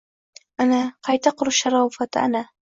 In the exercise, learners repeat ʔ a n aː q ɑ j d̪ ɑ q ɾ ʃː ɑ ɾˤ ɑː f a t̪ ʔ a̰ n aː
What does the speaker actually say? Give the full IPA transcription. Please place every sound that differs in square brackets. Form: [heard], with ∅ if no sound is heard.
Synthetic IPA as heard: ʔ a n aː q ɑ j [t̪] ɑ q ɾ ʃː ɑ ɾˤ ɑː f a t̪ ʔ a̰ n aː